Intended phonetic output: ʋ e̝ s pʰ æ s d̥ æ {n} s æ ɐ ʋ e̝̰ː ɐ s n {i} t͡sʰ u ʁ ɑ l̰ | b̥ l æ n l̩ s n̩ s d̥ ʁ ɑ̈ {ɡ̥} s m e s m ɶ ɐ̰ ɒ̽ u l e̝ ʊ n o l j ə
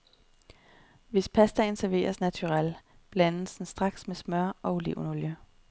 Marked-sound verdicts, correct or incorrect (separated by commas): correct, incorrect, correct